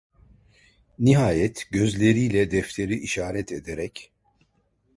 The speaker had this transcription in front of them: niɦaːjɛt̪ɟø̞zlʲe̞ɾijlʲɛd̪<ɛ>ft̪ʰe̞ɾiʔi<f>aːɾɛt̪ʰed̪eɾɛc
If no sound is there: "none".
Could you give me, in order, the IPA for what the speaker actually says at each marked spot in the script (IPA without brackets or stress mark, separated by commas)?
ɛ, ʃ